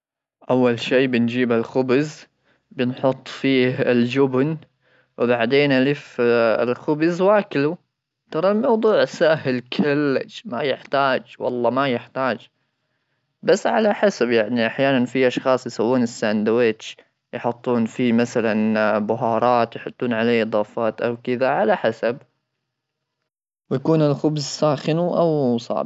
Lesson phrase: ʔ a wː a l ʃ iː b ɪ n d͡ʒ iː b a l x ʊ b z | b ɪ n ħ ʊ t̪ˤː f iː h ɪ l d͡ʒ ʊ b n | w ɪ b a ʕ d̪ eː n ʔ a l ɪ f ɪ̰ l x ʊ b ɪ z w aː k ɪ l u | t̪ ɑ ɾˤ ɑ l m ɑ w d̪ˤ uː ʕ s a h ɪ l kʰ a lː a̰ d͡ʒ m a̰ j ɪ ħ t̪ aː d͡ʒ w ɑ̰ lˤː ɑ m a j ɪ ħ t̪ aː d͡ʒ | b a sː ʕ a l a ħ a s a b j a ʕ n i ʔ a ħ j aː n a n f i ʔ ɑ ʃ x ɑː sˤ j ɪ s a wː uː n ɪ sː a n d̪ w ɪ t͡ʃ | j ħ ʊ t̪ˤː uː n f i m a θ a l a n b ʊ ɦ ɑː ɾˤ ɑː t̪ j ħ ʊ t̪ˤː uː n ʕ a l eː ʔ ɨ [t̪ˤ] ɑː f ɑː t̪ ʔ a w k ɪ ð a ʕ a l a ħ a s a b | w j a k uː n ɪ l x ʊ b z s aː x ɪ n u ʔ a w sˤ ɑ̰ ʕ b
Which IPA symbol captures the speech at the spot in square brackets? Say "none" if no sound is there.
d̪ˤ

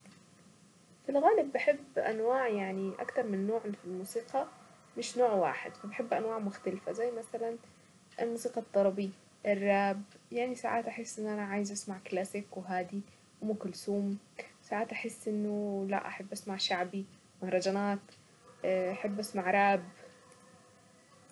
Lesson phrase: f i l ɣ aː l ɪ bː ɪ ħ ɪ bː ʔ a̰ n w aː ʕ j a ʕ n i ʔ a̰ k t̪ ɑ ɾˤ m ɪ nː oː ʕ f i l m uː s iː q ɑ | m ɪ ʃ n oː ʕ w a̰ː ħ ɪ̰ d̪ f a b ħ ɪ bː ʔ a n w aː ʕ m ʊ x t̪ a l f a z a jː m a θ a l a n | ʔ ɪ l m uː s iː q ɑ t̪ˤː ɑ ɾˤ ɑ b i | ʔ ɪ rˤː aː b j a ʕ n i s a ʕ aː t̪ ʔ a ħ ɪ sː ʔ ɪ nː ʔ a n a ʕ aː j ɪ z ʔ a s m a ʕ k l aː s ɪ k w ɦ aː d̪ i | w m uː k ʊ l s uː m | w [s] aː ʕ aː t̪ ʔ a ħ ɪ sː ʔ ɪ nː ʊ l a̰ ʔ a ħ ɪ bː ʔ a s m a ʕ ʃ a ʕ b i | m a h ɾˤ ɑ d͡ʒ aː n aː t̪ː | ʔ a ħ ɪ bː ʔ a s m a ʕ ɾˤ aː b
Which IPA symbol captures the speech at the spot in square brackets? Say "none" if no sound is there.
s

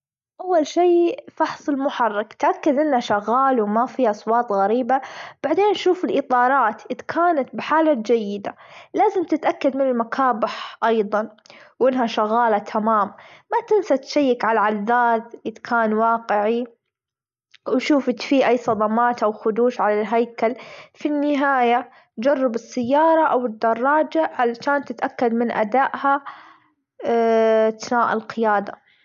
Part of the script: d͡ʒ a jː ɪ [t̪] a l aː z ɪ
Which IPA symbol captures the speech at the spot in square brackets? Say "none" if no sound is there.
d̪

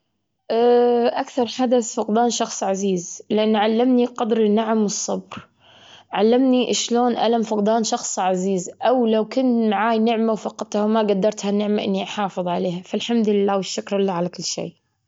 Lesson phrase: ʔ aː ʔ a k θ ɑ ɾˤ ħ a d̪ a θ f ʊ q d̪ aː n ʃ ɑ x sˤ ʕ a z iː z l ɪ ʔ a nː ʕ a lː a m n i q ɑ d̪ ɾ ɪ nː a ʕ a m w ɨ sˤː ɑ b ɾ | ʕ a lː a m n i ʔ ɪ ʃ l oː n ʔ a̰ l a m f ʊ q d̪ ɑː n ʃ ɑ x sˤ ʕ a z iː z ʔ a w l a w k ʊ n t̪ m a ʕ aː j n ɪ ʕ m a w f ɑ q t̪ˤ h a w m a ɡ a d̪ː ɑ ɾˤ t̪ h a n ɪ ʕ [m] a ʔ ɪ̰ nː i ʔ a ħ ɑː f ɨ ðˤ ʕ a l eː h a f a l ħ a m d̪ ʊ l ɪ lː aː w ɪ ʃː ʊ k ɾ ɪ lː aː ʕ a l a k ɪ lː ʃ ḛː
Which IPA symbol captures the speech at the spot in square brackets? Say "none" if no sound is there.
m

